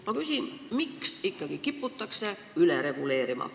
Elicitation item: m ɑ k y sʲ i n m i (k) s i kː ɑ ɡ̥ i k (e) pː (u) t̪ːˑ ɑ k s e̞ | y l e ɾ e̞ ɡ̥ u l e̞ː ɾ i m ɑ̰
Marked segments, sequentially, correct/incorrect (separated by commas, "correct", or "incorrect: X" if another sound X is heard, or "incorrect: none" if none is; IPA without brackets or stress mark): correct, incorrect: i, correct